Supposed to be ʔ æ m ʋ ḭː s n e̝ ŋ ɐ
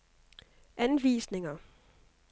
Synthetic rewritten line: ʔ æ n ʋ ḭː s n e̝ ŋ ɐ